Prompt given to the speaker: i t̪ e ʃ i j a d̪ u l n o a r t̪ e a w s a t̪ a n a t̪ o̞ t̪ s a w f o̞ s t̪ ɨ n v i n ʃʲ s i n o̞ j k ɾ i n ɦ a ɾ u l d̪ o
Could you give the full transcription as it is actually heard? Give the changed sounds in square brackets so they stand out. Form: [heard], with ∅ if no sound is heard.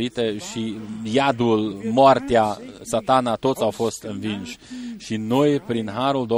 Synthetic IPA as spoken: i t̪ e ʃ i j a d̪ u l [m] o a r t̪ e a [∅] s a t̪ a n a t̪ o̞ t̪ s a w f o̞ s t̪ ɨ n v i n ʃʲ [ʃ] i n o̞ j [p] ɾ i n ɦ a ɾ u l d̪ o